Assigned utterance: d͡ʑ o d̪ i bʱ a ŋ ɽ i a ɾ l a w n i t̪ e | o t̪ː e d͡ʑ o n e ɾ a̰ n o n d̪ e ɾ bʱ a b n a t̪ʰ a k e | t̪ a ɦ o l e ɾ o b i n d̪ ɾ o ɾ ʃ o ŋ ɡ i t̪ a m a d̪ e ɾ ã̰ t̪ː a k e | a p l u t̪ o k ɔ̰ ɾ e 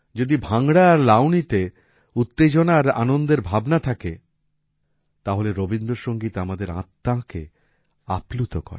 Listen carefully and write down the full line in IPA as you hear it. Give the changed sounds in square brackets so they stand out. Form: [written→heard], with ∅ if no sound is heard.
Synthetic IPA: d͡ʑ o d̪ i bʱ a ŋ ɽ [i→a] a ɾ l a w n i t̪ e | [o→u] t̪ː e d͡ʑ o n [e→a] ɾ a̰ n o n d̪ e ɾ bʱ a b n a t̪ʰ a k e | t̪ a ɦ o l e ɾ o b i n d̪ ɾ o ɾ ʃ o ŋ ɡ i t̪ a m a d̪ e ɾ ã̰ t̪ː a k e | a p l u t̪ o k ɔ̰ ɾ e